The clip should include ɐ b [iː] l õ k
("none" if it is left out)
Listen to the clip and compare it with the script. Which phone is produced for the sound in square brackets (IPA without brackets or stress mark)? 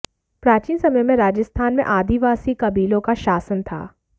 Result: iː